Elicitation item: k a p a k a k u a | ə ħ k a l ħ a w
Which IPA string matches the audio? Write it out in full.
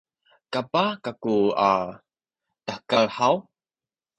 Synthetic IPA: k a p a k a k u a | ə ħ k a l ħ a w